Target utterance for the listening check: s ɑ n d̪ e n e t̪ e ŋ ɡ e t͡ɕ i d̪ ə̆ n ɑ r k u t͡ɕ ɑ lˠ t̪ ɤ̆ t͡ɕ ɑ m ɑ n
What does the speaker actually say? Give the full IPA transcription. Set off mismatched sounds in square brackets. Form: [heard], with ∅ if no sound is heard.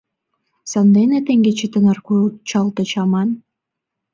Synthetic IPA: s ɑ n d̪ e n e t̪ e ŋ ɡ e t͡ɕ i [t̪] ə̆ n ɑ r k u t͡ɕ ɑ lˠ t̪ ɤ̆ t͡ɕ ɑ m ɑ n